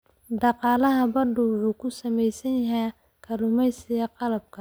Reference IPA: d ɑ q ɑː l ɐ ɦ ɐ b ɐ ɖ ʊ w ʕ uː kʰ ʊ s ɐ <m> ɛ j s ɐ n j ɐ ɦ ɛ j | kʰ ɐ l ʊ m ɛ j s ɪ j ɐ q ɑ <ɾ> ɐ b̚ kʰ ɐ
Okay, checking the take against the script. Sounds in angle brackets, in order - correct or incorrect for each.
correct, incorrect: l

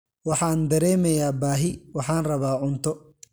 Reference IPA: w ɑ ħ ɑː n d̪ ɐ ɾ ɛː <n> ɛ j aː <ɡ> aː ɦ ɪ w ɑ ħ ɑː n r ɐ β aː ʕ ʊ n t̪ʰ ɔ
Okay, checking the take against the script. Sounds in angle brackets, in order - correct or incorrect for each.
incorrect: m, incorrect: b

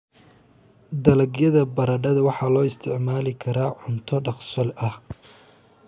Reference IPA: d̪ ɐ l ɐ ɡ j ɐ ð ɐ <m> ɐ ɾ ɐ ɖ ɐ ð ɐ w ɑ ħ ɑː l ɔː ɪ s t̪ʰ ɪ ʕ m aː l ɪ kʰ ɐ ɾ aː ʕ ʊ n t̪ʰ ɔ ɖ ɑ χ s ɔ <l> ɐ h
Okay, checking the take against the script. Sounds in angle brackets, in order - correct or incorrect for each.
incorrect: b, correct

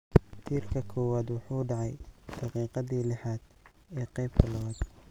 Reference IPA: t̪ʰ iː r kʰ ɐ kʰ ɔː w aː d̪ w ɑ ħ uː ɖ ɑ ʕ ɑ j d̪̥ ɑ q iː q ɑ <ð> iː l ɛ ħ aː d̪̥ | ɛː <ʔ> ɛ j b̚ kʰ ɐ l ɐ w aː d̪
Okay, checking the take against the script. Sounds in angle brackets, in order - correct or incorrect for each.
correct, incorrect: q

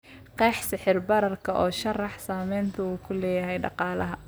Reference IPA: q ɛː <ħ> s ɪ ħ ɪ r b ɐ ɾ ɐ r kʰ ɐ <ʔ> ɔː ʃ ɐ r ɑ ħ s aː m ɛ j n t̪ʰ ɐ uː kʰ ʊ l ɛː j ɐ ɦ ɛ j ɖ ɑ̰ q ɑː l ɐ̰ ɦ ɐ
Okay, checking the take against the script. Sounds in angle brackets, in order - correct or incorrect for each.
correct, correct

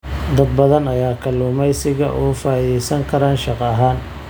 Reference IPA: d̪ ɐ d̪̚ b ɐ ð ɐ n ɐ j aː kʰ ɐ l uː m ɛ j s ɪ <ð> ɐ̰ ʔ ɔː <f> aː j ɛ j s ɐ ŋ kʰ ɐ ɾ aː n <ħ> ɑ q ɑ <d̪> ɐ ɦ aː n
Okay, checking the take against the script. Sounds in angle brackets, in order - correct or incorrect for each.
incorrect: ɣ, correct, incorrect: ʃ, incorrect: none

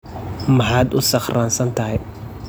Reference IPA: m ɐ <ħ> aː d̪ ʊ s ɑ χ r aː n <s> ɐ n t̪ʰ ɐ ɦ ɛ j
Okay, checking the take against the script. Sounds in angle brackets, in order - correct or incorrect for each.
correct, correct

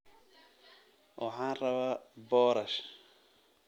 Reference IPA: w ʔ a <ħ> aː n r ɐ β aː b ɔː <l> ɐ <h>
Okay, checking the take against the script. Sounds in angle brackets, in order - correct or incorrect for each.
correct, incorrect: ɾ, incorrect: ʃ

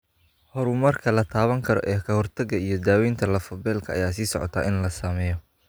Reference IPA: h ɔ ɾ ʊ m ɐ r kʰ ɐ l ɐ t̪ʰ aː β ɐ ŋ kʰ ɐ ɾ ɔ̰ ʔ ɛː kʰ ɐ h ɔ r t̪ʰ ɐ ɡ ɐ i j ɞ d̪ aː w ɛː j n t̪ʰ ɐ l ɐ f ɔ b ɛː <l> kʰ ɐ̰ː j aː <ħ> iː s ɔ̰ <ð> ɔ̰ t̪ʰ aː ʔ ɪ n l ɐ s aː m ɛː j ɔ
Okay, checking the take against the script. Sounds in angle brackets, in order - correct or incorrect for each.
correct, incorrect: s, incorrect: ʕ

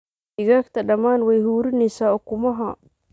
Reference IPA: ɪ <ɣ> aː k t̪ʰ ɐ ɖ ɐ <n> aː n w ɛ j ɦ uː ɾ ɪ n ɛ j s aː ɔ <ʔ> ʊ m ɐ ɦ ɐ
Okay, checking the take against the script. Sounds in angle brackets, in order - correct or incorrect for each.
correct, incorrect: m, incorrect: k

